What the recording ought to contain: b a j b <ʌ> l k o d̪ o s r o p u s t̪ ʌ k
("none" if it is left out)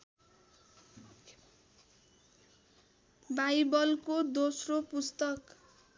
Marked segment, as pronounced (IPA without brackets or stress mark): ʌ